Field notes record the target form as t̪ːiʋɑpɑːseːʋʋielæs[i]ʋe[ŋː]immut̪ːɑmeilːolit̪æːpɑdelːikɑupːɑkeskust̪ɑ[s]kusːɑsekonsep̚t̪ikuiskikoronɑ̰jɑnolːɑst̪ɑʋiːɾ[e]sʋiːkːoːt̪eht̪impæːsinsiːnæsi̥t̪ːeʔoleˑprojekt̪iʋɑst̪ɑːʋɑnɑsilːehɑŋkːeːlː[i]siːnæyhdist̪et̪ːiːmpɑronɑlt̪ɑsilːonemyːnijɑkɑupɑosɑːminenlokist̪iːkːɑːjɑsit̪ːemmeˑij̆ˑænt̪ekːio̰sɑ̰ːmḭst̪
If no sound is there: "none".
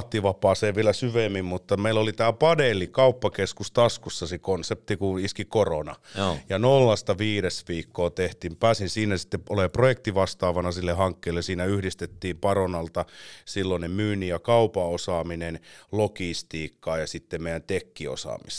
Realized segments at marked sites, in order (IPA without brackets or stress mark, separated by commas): y, mː, s, e, e